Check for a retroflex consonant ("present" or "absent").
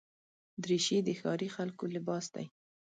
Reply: absent